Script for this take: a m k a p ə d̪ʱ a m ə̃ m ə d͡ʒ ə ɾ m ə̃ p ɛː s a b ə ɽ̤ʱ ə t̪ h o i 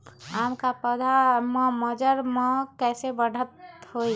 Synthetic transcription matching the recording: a m k a p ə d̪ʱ a m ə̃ m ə d͡ʒ ə ɾ m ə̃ k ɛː s e b ə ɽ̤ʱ ə t̪ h o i